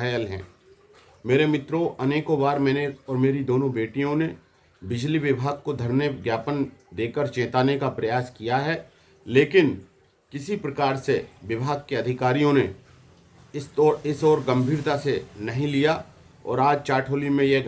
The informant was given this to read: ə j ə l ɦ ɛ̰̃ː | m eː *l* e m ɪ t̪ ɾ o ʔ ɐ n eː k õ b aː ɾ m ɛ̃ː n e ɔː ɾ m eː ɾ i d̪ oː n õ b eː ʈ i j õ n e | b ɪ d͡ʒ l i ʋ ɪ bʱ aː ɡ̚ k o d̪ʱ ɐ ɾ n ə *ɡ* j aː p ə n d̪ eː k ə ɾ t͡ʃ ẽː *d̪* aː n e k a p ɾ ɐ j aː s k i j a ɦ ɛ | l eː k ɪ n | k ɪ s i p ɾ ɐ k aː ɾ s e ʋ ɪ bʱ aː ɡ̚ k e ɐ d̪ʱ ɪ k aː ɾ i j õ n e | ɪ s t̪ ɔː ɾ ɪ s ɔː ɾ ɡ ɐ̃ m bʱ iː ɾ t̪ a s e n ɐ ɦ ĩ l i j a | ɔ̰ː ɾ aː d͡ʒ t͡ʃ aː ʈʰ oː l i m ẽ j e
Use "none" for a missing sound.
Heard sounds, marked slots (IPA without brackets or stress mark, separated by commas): ɾ, ɡ, t̪